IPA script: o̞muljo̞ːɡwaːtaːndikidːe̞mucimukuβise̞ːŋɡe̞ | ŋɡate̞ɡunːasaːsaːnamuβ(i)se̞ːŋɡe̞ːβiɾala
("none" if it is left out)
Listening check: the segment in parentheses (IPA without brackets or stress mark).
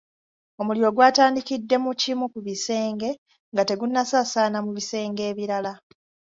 i